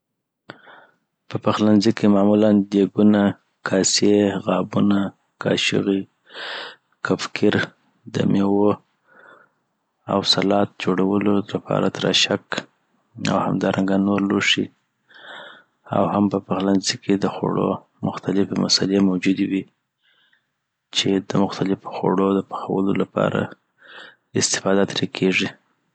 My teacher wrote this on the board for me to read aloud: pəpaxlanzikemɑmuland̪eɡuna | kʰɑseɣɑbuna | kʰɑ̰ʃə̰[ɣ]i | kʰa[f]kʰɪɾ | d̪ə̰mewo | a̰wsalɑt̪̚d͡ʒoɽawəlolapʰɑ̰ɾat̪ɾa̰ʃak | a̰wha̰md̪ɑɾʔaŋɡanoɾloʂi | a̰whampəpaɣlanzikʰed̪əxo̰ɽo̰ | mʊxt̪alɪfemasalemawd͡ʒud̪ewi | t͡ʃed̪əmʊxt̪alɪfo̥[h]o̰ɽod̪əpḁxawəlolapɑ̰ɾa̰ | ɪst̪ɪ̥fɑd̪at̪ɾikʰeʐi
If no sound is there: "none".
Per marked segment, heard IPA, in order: ɣ, f, x

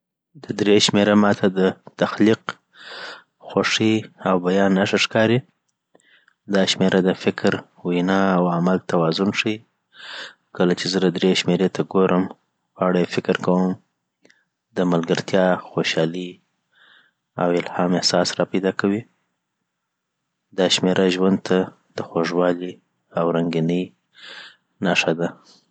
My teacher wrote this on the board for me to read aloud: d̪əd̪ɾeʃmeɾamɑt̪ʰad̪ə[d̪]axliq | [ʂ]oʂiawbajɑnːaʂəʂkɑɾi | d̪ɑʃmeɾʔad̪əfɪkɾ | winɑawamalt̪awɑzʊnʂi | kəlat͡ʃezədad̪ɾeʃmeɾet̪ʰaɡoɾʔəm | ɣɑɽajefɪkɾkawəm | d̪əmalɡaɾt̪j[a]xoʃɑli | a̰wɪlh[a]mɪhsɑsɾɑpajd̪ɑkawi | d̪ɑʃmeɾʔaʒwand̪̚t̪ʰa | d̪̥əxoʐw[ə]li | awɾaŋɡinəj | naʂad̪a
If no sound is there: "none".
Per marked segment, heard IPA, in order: t̪, x, ɑ, ɑ, ɑ

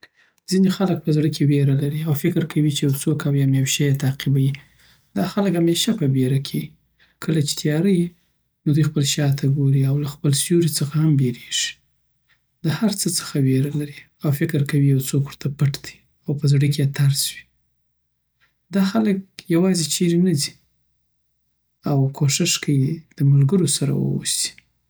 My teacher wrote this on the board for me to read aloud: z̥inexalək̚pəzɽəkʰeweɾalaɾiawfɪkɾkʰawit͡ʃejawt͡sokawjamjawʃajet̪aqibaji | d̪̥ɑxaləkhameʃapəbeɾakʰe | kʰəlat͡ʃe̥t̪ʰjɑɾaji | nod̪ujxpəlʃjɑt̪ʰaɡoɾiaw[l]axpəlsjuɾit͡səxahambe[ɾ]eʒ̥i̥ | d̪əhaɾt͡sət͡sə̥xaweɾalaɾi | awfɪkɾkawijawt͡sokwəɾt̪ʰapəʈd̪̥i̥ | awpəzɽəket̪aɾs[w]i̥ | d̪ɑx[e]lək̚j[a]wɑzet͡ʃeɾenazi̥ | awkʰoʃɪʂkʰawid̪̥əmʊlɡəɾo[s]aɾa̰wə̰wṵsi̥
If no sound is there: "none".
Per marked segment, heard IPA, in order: l, ɾ, w, a, a, s

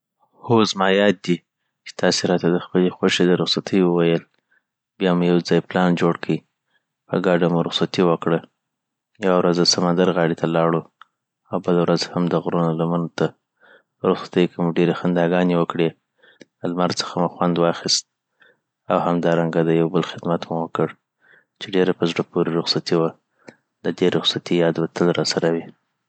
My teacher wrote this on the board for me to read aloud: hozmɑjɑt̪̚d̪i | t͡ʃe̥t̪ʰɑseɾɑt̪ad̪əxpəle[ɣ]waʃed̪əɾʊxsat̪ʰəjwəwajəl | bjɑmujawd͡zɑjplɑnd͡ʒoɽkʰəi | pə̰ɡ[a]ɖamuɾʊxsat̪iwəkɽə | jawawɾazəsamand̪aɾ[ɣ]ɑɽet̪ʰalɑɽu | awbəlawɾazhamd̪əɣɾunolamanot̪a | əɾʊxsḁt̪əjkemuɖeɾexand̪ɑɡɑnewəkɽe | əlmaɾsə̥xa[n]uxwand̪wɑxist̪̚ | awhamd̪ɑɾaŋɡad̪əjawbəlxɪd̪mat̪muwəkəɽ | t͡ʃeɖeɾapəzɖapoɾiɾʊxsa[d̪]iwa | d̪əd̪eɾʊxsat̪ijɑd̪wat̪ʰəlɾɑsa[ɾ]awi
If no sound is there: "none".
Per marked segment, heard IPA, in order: x, ɑ, ɣ, m, t̪, ɾ

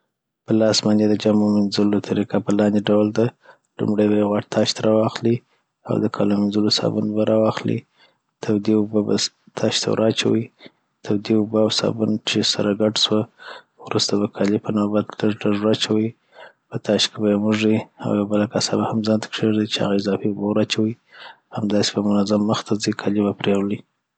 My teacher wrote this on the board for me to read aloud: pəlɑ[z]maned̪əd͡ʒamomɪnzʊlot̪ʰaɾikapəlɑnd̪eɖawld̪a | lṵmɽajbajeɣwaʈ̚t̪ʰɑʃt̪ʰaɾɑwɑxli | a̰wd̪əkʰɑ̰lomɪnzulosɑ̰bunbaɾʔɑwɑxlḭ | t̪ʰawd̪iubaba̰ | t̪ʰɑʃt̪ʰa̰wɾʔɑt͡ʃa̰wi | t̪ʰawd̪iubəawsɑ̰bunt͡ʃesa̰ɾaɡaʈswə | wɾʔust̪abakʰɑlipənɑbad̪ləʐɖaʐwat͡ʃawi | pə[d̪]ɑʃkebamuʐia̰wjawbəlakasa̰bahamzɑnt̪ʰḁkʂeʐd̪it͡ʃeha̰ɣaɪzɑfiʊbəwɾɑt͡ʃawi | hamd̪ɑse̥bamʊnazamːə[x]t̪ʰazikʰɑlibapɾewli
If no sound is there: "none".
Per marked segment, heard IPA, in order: s, t̪, x

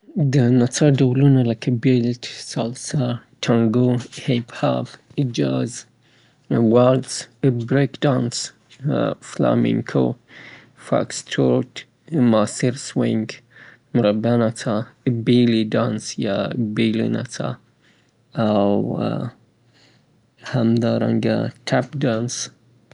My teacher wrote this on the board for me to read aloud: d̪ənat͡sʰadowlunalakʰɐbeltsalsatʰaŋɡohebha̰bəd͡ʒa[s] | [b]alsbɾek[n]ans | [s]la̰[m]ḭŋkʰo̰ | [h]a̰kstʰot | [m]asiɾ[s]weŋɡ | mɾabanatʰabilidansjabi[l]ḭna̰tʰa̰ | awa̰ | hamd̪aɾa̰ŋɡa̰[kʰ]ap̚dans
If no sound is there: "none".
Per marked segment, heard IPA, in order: z, w, d, f, m, f, m, s, l, tʰ

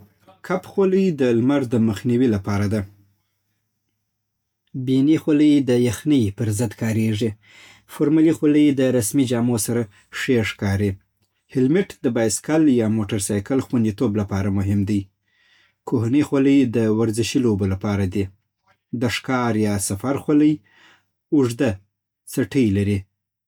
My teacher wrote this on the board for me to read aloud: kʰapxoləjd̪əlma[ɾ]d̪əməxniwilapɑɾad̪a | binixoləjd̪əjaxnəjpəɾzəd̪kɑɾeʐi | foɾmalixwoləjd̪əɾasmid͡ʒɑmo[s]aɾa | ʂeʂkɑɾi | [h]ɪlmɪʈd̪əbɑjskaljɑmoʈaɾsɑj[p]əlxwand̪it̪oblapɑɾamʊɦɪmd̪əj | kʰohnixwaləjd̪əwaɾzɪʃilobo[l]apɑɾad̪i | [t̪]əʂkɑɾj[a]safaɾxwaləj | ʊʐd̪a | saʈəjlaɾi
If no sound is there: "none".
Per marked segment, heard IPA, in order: ɾ, s, h, k, l, d̪, ɑ

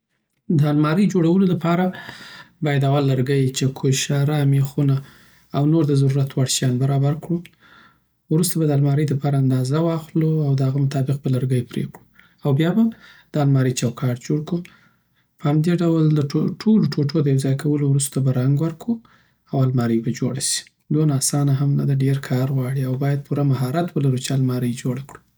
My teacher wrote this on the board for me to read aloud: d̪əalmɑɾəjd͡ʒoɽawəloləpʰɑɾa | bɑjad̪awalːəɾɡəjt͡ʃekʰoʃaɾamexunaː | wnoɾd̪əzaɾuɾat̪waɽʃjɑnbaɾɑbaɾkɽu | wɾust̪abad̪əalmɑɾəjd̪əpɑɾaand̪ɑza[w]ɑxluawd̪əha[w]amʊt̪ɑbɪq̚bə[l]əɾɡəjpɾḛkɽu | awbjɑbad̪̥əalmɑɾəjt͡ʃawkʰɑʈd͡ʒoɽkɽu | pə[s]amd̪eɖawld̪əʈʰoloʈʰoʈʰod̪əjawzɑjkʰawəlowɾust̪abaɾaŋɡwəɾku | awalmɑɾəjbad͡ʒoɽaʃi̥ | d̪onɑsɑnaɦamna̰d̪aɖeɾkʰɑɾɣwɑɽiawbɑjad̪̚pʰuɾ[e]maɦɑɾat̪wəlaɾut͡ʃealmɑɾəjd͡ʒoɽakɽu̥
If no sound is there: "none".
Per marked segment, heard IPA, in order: w, ɣ, l, h, a

